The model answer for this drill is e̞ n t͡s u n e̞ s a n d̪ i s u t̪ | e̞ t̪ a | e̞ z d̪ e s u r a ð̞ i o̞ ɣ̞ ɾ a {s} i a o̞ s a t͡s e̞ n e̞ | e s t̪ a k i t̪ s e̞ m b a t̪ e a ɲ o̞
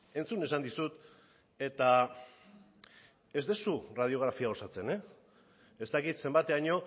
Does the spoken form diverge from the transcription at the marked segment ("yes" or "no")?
yes